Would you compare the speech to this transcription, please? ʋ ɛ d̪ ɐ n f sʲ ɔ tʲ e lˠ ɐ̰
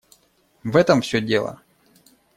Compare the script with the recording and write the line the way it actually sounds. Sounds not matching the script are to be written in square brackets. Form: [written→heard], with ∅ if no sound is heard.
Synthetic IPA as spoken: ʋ ɛ [d̪→t̪] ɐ [n→m] f sʲ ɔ [tʲ→dʲ] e lˠ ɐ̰